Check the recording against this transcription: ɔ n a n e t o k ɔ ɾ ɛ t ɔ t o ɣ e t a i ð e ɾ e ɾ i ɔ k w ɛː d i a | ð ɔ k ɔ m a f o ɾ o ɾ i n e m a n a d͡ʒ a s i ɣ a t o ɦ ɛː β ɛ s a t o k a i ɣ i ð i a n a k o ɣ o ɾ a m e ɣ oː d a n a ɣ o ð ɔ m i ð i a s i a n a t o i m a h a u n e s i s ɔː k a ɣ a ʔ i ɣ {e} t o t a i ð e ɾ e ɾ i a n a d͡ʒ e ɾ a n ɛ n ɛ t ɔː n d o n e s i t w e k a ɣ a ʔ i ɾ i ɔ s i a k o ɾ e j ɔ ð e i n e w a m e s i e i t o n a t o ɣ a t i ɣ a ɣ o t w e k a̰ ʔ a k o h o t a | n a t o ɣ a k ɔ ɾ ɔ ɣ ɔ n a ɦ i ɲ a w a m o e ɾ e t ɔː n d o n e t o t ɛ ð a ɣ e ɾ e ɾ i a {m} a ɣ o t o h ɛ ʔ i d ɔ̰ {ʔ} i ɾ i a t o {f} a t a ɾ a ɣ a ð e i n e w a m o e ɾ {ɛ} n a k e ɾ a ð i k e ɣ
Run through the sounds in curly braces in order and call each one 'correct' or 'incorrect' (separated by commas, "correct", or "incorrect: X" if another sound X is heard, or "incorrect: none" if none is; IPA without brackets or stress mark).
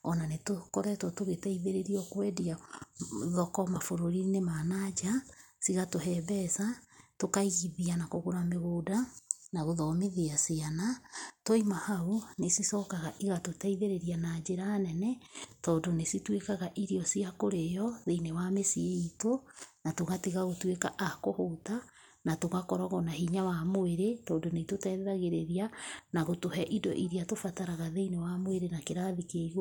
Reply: incorrect: a, incorrect: n, correct, correct, incorrect: e